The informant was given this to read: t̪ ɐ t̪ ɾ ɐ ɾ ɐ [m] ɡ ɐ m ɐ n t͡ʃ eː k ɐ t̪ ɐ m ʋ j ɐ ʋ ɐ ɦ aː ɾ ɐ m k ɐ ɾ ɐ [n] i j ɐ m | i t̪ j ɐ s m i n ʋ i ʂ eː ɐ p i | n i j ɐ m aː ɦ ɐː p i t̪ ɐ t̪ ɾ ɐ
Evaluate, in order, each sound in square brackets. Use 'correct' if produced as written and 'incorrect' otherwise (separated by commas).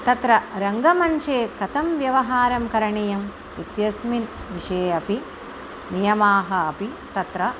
incorrect, incorrect